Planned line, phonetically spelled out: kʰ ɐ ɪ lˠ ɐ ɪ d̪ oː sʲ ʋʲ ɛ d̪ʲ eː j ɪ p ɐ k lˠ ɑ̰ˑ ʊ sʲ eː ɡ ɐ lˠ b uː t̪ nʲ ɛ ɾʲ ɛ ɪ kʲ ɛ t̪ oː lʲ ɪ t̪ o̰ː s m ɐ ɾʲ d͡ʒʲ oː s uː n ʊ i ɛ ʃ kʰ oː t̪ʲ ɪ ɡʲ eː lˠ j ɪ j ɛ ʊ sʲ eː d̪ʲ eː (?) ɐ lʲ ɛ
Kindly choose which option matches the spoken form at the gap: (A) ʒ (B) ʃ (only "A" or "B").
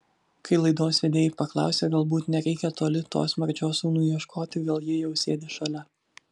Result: B